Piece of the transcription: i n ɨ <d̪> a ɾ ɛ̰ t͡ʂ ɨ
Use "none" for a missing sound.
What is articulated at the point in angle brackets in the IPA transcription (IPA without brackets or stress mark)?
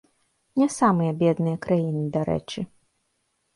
d̪